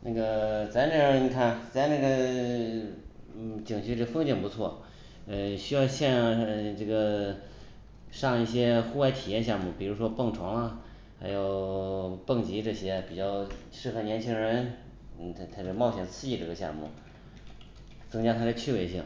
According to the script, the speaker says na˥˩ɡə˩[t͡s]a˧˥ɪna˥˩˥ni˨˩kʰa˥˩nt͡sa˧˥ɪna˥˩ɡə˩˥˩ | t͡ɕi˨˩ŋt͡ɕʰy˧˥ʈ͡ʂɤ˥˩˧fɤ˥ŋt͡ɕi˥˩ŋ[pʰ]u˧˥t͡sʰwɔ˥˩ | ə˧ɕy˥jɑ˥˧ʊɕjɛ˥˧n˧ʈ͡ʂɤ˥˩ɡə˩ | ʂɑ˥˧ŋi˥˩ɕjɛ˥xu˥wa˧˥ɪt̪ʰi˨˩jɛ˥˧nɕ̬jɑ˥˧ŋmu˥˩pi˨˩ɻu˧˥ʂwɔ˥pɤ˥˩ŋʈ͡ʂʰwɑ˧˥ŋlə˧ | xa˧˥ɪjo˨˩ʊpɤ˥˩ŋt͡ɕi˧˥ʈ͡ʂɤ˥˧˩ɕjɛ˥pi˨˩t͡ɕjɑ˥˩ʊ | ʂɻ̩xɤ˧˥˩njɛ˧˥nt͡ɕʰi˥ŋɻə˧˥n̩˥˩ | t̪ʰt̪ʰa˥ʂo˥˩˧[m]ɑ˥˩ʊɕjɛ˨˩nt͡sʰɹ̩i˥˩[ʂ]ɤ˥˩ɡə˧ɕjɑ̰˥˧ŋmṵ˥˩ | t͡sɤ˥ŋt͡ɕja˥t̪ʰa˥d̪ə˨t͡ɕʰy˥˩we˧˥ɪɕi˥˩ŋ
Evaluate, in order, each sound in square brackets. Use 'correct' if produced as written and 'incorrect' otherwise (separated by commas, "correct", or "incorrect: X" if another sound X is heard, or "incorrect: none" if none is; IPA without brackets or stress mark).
correct, incorrect: p, correct, incorrect: ʈ͡ʂ